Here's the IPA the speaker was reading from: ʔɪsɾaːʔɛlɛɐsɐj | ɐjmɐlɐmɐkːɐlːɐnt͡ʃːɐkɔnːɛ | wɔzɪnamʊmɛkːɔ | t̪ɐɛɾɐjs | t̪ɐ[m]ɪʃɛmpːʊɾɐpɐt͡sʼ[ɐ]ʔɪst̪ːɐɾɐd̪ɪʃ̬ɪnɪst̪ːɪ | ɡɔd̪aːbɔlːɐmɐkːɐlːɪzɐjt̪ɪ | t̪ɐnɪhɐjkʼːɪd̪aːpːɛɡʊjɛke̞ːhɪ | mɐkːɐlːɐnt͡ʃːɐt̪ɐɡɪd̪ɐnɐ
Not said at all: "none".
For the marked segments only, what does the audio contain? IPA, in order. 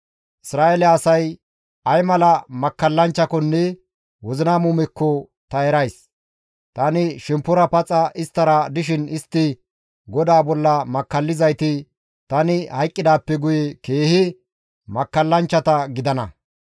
n, ɐ

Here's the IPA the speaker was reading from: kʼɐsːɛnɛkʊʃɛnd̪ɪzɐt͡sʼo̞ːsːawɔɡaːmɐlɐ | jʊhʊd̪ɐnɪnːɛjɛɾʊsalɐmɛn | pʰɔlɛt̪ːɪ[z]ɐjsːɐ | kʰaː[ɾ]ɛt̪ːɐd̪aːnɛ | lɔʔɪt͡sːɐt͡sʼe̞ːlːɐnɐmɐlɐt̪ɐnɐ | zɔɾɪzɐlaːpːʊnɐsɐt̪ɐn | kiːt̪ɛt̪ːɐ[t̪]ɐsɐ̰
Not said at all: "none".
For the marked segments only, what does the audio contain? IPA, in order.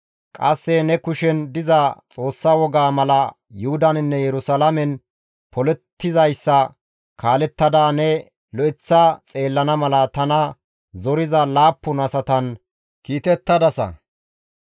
z, l, d̪

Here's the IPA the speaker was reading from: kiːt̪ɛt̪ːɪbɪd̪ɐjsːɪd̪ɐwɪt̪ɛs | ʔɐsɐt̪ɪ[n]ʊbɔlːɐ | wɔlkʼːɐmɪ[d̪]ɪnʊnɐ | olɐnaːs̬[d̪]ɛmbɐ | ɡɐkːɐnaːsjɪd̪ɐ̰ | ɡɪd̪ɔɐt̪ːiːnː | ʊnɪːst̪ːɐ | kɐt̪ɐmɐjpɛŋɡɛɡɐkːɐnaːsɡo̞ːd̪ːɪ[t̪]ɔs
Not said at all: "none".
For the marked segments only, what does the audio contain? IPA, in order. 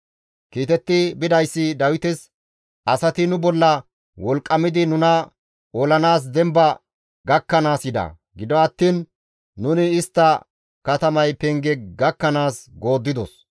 n, d̪, d̪, d̪

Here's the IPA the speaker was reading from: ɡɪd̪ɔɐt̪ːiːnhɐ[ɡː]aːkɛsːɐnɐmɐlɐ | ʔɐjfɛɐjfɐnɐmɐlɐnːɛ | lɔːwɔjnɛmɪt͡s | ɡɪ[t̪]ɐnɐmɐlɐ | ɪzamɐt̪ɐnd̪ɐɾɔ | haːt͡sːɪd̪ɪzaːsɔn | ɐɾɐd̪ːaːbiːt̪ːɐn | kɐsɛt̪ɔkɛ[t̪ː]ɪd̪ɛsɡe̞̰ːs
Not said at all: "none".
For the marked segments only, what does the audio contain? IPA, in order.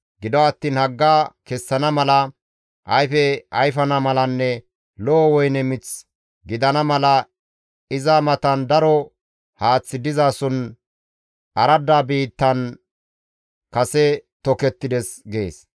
ɡː, d̪, t̪ː

